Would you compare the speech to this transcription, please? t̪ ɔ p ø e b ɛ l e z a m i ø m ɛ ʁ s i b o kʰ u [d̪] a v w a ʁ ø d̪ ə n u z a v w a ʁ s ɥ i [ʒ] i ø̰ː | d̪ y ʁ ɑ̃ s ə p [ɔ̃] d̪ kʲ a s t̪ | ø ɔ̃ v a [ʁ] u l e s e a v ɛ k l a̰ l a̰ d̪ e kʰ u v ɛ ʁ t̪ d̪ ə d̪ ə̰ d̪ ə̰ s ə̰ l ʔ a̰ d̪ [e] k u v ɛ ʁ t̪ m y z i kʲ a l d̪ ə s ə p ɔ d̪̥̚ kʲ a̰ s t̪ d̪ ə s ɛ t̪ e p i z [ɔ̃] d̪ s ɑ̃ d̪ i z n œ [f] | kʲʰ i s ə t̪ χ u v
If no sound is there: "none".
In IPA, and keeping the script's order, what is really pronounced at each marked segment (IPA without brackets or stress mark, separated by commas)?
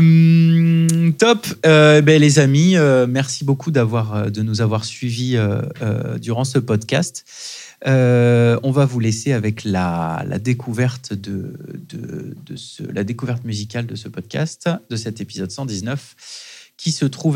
d̪, v, ɔ, v, e, ɔ, f